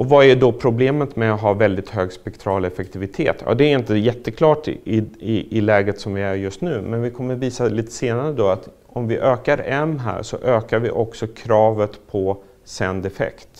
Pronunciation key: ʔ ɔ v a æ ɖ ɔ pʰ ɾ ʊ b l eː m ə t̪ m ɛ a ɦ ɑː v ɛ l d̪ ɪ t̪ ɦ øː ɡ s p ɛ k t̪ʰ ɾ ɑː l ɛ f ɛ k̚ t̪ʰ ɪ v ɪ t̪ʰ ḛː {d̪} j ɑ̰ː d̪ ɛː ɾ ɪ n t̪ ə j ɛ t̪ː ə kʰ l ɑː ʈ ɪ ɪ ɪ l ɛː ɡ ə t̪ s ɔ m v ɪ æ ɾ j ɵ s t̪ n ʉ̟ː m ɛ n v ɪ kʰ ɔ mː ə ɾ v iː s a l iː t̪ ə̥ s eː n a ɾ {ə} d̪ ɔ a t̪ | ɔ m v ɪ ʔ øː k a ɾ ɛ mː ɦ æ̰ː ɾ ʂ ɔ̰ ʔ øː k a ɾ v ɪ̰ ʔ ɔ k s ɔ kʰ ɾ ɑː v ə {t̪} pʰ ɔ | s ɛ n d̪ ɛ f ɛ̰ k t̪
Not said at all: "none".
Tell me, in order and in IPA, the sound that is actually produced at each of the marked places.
t̪, ə, t̪

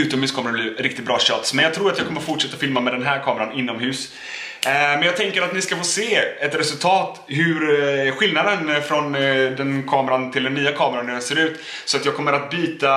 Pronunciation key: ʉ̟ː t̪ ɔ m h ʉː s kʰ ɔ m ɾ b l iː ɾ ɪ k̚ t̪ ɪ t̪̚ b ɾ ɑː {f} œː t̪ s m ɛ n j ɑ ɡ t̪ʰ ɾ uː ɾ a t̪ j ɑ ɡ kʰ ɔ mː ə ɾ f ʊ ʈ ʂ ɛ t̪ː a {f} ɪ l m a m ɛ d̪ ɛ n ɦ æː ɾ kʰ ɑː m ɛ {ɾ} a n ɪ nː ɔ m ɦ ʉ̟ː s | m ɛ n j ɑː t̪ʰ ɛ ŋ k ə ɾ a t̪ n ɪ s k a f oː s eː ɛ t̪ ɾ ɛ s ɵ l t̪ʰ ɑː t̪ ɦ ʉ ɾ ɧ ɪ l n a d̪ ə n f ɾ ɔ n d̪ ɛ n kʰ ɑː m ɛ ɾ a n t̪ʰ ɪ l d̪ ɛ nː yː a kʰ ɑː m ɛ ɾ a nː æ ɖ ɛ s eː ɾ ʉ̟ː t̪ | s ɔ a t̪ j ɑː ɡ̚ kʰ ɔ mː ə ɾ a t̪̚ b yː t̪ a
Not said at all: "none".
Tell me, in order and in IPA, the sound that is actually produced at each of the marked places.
ɕ, f, ɾ

